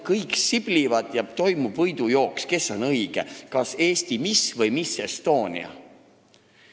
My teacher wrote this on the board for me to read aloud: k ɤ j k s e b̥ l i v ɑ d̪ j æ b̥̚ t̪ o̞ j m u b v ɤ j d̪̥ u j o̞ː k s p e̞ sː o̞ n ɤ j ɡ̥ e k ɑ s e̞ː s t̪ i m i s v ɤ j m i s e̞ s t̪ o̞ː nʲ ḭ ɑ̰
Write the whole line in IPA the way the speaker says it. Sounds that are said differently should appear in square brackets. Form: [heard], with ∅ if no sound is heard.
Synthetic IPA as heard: k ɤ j k s [i] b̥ l i v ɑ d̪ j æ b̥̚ t̪ o̞ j m u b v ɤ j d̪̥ u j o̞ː k s [k] e̞ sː o̞ n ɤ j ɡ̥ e k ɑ s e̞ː s t̪ i m i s v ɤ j m i s e̞ s t̪ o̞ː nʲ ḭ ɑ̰